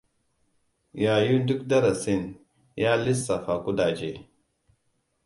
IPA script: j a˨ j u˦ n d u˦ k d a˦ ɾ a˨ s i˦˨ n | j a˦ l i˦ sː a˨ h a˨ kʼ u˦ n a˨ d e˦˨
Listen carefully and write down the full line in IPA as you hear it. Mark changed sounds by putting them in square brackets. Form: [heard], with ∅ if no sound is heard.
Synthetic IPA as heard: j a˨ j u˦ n d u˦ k d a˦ ɾ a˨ s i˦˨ n | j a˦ l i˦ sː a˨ [f] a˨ [k] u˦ [d] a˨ [d͡ʒ] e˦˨